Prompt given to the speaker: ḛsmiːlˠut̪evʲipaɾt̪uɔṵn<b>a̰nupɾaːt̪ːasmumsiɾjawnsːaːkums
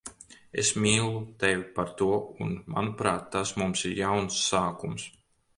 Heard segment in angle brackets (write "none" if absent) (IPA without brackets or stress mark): m